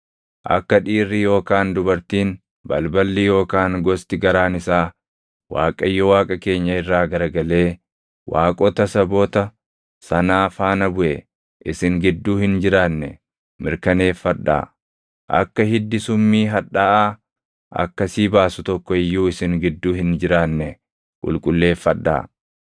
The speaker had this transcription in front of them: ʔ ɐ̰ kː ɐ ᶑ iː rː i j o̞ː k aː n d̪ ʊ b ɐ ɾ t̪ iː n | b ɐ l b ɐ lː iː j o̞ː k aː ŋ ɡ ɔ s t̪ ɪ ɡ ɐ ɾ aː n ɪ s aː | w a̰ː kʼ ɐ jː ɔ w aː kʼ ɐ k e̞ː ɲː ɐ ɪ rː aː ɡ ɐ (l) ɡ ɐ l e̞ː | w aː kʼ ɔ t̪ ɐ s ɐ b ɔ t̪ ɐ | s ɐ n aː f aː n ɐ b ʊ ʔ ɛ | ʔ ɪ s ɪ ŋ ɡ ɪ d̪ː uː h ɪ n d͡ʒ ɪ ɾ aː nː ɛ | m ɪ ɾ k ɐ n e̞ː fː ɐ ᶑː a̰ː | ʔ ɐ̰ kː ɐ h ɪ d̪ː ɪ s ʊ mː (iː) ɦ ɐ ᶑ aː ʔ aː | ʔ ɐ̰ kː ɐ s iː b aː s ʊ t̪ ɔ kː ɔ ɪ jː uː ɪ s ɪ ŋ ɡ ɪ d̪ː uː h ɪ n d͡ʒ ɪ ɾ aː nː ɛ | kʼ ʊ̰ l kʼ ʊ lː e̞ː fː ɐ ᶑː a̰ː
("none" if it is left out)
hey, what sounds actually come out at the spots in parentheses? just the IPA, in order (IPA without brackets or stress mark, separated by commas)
ɾ, iː